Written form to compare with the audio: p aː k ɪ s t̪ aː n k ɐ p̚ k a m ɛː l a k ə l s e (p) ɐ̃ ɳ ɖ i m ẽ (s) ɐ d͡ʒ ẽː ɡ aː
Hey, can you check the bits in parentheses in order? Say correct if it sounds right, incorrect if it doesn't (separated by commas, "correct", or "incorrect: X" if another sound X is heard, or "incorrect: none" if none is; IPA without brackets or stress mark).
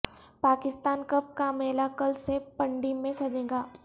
correct, correct